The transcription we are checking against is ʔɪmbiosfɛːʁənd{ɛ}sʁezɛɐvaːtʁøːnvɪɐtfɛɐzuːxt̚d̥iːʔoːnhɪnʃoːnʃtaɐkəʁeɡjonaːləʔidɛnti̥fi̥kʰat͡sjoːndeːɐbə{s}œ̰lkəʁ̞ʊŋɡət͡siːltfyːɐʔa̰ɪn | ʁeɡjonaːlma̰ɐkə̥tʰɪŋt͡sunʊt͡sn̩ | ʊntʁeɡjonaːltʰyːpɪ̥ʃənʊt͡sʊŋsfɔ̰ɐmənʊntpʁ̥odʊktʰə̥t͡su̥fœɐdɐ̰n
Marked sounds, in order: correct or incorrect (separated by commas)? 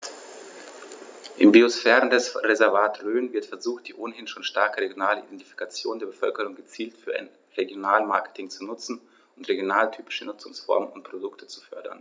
correct, incorrect